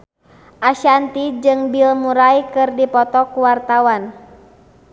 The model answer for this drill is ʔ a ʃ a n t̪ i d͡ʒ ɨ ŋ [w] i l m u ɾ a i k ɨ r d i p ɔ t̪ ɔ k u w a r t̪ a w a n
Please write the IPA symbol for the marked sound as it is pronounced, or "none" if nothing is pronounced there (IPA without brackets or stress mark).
b